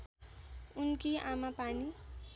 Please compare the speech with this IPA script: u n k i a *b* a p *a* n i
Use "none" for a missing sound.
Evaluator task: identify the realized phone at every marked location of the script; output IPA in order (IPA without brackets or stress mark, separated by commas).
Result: m, a